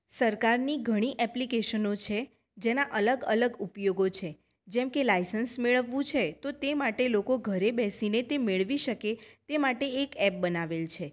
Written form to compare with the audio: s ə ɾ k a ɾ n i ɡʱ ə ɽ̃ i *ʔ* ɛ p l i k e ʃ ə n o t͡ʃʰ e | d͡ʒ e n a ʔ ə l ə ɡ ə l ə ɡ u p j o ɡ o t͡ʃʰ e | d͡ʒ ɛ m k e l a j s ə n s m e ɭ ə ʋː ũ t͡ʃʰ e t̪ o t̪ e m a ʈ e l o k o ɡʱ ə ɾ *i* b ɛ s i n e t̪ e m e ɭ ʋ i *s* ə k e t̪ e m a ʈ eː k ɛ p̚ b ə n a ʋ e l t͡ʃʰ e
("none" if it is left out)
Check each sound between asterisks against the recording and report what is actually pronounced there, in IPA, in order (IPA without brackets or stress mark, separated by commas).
ʔ, e, ʃ